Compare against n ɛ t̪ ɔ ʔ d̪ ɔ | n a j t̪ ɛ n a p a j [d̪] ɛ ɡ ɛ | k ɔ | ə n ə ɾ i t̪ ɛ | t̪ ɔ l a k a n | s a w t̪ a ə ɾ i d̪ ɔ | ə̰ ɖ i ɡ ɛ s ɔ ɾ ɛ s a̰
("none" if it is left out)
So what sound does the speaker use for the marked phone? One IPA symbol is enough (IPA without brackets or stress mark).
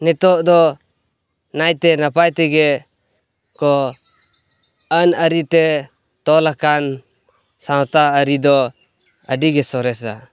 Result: t̪